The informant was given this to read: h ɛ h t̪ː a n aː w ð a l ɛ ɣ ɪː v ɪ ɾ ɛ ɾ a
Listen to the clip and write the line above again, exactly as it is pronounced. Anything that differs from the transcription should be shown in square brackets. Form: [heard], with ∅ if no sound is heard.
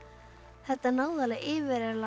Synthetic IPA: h ɛ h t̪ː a n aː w ð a l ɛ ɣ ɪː v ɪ ɾ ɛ [l] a